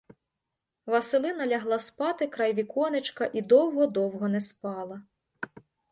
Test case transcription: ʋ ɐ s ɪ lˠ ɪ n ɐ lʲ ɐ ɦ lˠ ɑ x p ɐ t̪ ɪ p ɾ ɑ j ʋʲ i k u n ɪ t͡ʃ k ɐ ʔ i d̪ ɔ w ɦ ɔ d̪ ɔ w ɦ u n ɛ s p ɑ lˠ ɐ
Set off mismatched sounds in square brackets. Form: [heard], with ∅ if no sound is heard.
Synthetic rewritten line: ʋ ɐ s ɪ lˠ ɪ n ɐ lʲ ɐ ɦ lˠ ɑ [s] p [ɑ] t̪ ɪ [k] ɾ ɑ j ʋʲ i k [ɔ] n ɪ t͡ʃ k ɐ ʔ i d̪ ɔ w ɦ ɔ d̪ ɔ w ɦ [ɔ] n ɛ s p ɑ lˠ ɐ